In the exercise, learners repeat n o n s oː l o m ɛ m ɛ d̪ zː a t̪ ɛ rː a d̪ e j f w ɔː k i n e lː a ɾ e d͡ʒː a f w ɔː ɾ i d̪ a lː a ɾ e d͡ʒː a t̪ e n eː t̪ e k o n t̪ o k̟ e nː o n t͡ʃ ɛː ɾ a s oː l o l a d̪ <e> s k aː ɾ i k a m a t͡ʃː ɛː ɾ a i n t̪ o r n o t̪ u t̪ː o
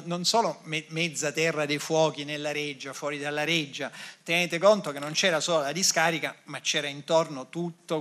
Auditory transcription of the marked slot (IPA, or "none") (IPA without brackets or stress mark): i